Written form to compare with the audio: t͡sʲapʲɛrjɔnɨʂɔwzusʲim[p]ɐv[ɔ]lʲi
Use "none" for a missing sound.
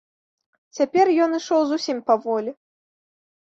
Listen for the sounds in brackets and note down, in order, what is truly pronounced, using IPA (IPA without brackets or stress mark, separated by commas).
p, ɔ